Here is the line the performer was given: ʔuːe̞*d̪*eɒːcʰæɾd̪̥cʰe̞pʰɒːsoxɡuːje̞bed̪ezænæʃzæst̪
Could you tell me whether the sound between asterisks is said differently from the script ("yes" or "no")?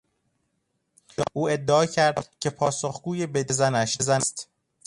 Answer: yes